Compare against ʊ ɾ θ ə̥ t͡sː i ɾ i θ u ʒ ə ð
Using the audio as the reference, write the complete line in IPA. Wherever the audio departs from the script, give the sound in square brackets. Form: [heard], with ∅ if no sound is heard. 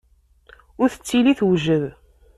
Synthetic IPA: ʊ ɾ θ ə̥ t͡sː i [l] i θ [w] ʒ ə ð

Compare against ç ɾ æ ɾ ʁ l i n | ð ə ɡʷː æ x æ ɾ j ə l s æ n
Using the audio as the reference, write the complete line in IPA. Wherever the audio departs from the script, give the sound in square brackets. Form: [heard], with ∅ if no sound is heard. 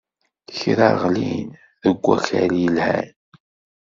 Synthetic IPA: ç ɾ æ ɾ ʁ l i n | ð ə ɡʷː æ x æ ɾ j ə l [h] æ n

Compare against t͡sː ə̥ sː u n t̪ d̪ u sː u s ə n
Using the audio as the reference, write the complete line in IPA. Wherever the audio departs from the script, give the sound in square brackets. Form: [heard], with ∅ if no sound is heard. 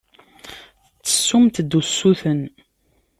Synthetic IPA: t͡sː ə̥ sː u [m] t̪ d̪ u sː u [θ] ə n

